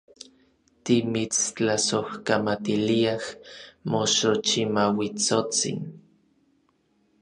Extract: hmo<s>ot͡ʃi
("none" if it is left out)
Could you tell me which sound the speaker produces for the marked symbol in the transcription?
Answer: ʃ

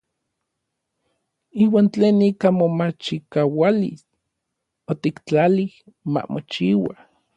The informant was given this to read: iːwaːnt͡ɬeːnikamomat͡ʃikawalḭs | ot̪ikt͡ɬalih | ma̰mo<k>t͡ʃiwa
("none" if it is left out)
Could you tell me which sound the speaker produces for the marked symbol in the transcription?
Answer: none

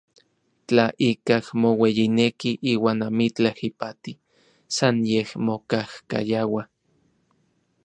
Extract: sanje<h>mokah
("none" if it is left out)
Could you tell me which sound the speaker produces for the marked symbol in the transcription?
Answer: h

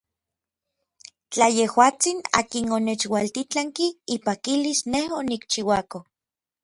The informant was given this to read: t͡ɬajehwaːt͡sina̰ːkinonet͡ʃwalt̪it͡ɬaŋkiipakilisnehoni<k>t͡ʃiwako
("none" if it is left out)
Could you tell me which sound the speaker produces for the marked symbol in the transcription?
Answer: k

